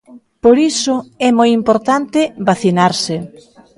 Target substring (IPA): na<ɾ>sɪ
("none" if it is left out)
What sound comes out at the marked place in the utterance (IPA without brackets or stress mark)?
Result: ɾ